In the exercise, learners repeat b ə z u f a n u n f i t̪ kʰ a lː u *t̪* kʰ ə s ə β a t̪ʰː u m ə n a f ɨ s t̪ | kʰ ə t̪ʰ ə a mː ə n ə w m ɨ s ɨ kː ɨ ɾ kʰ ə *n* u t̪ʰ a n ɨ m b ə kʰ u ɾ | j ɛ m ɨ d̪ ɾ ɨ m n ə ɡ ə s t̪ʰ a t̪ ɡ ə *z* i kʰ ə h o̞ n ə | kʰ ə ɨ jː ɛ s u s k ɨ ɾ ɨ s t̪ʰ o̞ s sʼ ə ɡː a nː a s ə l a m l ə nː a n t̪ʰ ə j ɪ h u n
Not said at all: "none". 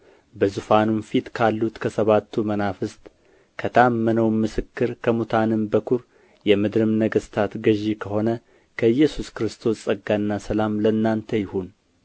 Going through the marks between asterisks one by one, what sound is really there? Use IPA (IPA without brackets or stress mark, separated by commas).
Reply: t̪, m, ʒ